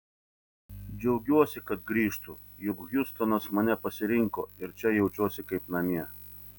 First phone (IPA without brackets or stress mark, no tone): d͡ʒʲ